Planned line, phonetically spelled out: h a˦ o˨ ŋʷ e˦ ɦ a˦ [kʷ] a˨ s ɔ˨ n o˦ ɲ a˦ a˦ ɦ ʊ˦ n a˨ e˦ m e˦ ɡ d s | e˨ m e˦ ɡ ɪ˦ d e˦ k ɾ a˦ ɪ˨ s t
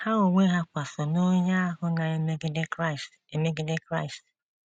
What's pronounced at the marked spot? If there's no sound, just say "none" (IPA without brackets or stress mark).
kʷ